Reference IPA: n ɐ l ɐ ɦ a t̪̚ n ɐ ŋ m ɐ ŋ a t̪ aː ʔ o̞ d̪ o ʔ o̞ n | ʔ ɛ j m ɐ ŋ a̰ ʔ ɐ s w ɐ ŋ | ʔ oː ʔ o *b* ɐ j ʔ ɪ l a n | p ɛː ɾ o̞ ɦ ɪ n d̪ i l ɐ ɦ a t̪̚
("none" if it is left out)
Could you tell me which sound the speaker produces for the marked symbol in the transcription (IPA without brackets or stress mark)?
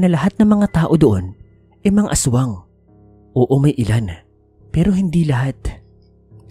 m